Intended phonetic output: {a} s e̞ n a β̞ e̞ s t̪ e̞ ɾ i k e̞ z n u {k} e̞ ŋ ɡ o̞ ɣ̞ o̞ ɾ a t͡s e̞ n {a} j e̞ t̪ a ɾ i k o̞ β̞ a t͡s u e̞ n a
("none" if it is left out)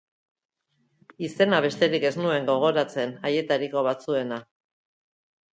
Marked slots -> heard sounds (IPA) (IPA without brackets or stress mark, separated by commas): i, none, a